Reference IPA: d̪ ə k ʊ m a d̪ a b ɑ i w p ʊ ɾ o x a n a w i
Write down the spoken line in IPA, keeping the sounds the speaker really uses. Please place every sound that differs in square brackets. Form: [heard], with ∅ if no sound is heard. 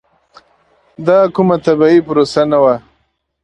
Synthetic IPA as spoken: d̪ [ɑ] k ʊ m a [t̪] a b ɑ i [∅] p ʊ ɾ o [s] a n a w [a]